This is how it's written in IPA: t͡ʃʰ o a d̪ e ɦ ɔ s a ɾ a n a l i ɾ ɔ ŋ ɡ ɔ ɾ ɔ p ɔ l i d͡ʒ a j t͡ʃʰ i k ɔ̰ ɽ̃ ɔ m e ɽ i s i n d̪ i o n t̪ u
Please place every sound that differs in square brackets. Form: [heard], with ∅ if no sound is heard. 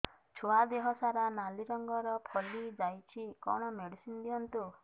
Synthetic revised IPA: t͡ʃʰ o a d̪ e ɦ ɔ s a ɾ a n a l i ɾ ɔ ŋ ɡ ɔ ɾ ɔ [pʰ] ɔ l i d͡ʒ a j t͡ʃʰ i k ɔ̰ ɽ̃ ɔ m e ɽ i s i n d̪ i [ɔ] n t̪ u